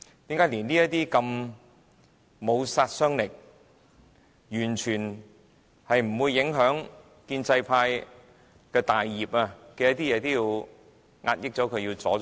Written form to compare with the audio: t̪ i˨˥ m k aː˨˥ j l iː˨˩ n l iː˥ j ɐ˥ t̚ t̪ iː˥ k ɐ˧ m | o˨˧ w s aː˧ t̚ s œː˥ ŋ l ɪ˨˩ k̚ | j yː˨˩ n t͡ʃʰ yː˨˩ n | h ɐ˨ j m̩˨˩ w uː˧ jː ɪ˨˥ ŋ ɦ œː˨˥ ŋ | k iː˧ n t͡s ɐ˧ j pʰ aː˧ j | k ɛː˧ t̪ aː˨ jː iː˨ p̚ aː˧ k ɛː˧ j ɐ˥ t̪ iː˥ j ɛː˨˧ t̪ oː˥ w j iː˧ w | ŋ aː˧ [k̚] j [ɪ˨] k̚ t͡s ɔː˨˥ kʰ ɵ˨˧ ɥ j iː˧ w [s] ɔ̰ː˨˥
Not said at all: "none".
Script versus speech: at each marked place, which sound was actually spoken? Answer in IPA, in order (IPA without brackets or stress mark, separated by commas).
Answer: t̚, ɪ˥, t͡s